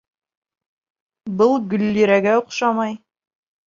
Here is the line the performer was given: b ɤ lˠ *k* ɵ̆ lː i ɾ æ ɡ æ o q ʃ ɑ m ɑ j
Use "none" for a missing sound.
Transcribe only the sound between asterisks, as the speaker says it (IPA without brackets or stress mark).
ɡ